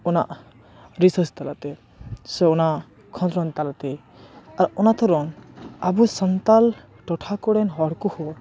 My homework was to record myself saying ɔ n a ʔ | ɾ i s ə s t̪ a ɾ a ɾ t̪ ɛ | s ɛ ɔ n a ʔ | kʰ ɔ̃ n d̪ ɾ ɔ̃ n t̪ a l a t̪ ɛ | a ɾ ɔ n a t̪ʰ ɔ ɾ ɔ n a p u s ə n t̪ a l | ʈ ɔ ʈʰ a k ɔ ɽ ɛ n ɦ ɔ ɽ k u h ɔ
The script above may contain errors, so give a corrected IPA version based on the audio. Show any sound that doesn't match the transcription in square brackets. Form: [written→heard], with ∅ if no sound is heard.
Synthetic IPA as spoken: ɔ n a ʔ | ɾ i s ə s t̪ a [ɾ→l] a [ɾ→∅] t̪ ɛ | s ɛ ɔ n a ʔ | kʰ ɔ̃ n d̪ ɾ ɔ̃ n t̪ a l a t̪ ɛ | a ɾ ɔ n a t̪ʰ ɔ ɾ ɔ n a [p→b] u s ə n t̪ a l | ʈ ɔ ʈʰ a k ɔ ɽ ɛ n ɦ ɔ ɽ k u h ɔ